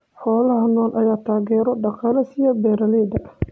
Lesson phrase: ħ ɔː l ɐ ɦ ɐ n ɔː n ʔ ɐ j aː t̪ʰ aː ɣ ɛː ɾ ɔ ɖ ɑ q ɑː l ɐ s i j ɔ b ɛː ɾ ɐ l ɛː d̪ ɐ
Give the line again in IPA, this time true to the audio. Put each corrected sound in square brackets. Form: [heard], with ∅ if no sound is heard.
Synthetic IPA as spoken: ħ ɔː l ɐ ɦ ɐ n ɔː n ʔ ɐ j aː t̪ʰ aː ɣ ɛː ɾ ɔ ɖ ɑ q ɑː l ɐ s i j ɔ b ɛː ɾ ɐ l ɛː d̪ ɐ